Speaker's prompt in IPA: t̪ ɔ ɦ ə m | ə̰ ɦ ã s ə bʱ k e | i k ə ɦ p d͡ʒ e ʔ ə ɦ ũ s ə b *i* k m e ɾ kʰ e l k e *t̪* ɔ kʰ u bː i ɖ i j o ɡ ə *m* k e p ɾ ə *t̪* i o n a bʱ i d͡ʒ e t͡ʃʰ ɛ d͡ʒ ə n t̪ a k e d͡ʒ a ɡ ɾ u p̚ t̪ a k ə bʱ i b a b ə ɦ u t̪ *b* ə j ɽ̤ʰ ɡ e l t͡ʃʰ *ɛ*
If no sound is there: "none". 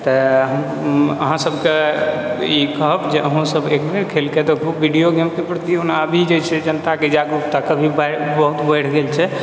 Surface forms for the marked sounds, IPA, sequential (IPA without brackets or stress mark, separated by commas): e, t̪, m, t̪, b, ɛ